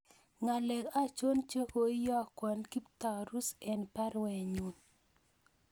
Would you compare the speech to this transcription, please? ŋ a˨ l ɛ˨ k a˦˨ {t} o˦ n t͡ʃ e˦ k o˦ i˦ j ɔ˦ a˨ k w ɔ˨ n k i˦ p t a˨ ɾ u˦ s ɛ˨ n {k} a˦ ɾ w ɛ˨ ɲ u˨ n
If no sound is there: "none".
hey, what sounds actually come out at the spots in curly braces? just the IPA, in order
t͡ʃ, p

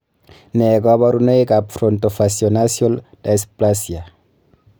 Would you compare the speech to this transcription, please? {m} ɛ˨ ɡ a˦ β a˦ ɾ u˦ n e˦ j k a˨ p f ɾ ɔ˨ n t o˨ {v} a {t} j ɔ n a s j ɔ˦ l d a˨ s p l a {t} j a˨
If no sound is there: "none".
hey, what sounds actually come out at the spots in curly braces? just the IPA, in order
n, f, s, s

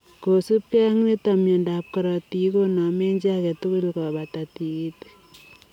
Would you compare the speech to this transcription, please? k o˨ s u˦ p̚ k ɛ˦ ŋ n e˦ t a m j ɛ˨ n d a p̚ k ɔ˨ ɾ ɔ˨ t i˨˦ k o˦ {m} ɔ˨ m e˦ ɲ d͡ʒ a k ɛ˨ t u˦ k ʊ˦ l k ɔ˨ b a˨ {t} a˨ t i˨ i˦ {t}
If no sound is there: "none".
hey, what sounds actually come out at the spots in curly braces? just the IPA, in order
n, t, t

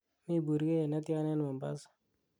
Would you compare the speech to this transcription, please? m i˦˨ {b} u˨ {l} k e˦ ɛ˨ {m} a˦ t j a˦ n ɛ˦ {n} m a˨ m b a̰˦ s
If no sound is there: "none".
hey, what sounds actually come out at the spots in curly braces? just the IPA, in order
b, ɾ, n, n

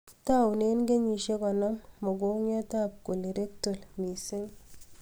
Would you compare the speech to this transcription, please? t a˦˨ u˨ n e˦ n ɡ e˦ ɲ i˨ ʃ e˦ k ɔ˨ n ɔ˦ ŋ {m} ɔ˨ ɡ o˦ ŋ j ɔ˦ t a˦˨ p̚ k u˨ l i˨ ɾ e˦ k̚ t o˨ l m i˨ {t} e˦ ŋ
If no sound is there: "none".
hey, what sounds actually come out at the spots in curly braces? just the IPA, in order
m, s

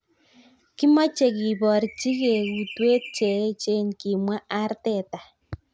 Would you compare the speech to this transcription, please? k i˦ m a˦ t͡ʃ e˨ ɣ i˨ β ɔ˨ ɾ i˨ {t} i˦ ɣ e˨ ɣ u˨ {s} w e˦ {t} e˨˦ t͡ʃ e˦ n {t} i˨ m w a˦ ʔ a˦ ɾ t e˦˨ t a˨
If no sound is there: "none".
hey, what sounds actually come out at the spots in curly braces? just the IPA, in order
t͡ʃ, t, t͡ʃ, k

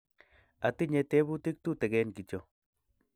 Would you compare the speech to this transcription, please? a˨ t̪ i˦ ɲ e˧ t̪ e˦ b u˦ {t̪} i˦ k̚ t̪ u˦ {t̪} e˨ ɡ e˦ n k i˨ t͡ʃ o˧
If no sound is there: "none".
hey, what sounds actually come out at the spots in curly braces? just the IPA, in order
t̪, t̪

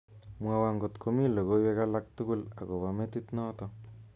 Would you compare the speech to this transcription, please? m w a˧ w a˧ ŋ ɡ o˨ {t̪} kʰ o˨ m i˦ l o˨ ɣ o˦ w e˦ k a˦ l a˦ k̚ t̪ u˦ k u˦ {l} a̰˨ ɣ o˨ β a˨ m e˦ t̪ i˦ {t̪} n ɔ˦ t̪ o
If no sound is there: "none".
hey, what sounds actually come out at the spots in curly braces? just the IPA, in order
t̪, l, t̪

